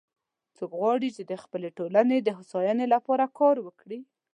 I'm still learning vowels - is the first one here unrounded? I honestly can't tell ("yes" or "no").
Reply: no